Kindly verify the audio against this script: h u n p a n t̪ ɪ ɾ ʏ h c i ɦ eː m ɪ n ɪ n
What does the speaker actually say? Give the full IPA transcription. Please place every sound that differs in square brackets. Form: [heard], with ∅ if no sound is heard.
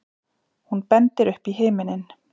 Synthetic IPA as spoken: h u n p [ɛ] n t̪ ɪ ɾ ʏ h [p] i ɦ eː m ɪ n ɪ n